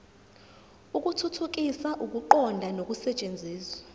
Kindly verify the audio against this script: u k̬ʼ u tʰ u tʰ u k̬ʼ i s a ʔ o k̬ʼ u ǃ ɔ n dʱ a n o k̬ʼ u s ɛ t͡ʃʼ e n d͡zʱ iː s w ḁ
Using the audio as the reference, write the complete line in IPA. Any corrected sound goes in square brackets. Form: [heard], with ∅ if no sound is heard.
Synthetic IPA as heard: u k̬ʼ u tʰ u tʰ u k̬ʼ i s a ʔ [u] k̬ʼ u ǃ ɔ n dʱ a n o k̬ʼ u s ɛ t͡ʃʼ e n d͡zʱ iː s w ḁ